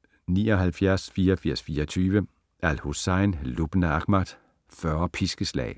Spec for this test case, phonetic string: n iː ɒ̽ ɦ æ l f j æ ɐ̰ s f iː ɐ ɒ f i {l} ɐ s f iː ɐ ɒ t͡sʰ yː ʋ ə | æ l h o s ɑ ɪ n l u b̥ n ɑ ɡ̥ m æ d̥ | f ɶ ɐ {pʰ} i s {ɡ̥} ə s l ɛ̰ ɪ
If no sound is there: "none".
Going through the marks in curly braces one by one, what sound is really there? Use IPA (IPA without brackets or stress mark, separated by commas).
none, pʰ, ɡ̥